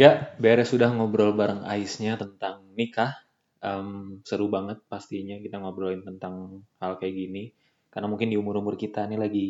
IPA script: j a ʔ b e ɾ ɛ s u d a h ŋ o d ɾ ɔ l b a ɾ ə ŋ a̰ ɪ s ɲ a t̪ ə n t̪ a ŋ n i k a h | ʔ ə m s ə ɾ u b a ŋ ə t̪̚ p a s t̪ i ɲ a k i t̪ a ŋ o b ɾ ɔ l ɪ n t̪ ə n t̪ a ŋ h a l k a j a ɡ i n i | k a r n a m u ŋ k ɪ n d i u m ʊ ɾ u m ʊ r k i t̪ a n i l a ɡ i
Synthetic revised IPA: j a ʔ b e ɾ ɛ s u d a h ŋ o b ɾ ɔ l b a ɾ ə ŋ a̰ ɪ s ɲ a t̪ ə n t̪ a ŋ n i k a h | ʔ ə m s ə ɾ u b a ŋ ə t̪̚ p a s t̪ i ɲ a k i t̪ a ŋ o b ɾ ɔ l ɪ n t̪ ə n t̪ a ŋ h a l k a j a ɡ i n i | k a r n a m u ŋ k ɪ n d i u m ʊ ɾ u m ʊ r k i t̪ a n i l a ɡ i